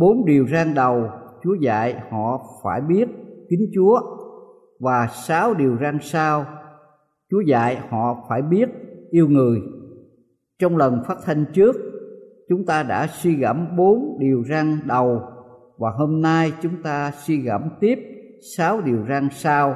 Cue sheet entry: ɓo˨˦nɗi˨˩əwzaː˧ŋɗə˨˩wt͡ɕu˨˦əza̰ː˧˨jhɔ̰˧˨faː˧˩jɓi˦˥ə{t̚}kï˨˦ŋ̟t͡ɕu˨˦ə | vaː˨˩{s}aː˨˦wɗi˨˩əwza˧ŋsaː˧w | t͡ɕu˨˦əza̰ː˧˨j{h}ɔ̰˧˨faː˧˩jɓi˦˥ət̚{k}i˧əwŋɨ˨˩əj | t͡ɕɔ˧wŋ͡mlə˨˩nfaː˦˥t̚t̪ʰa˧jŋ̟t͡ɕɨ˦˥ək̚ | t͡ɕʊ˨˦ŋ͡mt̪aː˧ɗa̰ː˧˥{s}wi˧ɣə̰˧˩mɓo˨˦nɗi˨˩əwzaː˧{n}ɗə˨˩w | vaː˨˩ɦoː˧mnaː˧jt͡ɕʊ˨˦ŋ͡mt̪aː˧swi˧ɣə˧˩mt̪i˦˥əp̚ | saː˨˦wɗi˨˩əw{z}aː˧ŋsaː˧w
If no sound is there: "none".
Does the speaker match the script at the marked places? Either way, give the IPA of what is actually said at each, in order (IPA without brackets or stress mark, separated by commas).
t̚, s, h, ʔ, s, ŋ, z